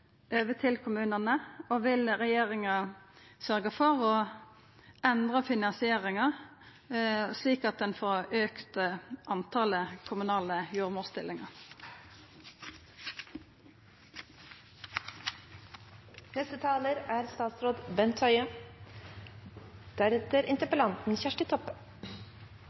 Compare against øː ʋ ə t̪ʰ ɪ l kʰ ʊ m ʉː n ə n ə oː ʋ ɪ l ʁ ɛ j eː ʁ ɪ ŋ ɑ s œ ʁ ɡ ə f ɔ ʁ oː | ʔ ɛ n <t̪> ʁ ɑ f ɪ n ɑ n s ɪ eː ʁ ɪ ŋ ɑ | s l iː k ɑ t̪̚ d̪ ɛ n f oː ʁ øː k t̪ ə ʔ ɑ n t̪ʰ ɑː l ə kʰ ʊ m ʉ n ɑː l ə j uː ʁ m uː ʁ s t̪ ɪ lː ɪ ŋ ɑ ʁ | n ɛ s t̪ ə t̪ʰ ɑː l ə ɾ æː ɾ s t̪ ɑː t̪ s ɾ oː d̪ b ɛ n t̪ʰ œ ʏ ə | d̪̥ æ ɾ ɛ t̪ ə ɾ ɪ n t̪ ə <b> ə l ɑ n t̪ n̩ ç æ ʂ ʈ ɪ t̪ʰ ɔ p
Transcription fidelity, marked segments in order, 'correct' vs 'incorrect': incorrect: d̪, incorrect: p

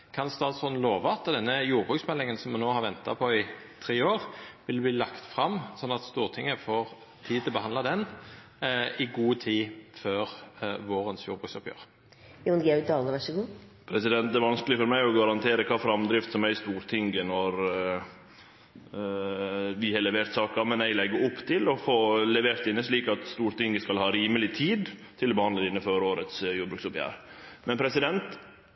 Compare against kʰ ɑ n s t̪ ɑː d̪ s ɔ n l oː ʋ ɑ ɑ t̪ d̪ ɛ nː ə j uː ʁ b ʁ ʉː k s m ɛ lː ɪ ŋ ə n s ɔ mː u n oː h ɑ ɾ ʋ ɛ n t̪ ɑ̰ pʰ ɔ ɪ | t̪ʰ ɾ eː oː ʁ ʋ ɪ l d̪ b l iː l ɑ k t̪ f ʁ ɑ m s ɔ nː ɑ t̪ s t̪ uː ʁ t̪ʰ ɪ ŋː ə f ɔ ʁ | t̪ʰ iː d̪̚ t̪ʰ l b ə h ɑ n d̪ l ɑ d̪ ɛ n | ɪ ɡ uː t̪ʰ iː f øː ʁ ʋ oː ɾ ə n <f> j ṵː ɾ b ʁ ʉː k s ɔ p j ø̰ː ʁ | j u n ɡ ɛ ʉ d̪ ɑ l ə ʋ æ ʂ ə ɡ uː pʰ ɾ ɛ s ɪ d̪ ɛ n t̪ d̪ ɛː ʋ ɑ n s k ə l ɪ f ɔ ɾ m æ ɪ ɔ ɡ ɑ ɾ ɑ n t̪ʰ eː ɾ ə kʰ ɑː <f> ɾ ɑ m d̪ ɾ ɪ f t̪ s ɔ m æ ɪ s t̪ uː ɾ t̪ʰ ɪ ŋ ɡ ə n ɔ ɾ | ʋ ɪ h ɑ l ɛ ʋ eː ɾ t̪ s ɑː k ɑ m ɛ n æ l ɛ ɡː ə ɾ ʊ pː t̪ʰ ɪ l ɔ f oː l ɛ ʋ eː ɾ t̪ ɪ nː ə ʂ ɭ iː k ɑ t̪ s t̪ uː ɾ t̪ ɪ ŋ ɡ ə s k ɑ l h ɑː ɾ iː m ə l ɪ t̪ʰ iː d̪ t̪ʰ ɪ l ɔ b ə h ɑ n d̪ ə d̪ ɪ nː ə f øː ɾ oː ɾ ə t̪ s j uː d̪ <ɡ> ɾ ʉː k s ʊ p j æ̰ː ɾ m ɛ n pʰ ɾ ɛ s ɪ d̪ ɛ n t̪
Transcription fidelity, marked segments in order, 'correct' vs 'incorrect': incorrect: s, correct, incorrect: b

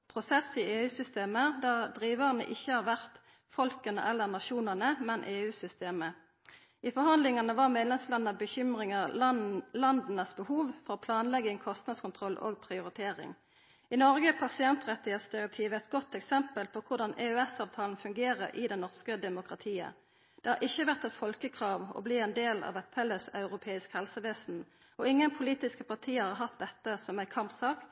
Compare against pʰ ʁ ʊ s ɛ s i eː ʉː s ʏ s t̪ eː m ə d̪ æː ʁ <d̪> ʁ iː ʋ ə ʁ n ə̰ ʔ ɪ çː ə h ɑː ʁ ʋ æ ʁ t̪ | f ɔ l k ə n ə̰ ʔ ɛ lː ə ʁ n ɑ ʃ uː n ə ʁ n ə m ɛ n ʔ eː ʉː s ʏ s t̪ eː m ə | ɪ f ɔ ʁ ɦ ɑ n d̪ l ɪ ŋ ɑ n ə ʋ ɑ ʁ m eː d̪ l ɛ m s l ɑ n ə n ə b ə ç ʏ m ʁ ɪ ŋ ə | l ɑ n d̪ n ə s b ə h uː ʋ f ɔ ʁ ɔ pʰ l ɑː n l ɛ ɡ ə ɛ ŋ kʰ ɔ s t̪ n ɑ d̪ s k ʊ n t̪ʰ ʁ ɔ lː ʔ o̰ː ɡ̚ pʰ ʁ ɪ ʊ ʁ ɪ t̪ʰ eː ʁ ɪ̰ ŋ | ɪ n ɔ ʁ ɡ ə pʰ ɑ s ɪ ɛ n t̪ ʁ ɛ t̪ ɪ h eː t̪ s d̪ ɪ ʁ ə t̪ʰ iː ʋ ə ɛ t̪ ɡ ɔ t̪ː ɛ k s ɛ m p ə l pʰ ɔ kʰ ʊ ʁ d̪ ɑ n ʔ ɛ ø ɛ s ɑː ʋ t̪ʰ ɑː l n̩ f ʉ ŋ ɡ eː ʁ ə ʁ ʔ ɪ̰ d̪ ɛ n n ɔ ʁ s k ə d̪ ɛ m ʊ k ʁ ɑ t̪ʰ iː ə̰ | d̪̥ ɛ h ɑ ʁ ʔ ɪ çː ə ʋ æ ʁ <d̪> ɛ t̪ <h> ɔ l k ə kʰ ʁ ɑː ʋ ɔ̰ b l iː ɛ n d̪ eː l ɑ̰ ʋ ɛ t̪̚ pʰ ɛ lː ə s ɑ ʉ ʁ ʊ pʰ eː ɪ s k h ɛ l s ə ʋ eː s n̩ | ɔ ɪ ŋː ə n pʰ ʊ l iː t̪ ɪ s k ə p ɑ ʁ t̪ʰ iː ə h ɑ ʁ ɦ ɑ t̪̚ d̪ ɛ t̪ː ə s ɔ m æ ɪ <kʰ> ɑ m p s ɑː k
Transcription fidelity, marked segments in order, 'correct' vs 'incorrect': correct, incorrect: t̪, incorrect: f, correct

